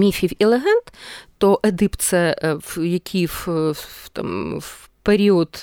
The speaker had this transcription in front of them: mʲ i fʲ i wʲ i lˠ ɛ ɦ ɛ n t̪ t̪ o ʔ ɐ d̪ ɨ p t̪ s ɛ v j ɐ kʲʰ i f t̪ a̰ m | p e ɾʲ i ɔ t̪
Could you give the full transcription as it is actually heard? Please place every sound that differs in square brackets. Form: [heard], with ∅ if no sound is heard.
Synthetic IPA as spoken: mʲ i fʲ i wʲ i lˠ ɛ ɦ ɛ n t̪ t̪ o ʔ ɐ d̪ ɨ p t̪ s ɛ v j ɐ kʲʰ i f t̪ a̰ m | p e ɾʲ i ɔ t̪